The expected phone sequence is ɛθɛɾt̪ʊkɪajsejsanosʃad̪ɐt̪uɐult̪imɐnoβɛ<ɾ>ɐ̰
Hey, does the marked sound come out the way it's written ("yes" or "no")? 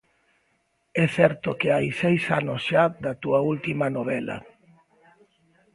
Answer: no